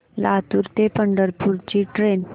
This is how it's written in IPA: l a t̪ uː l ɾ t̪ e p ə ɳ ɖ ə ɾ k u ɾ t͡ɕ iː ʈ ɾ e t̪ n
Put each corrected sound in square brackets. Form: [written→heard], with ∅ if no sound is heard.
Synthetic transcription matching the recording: l a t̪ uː [l→∅] ɾ t̪ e p ə ɳ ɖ ə ɾ [k→p] u ɾ t͡ɕ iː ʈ ɾ e [t̪→∅] n